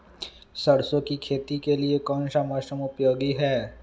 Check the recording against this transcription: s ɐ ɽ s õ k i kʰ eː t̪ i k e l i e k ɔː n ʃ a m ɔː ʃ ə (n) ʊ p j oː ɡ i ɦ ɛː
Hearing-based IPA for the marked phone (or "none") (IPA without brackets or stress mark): m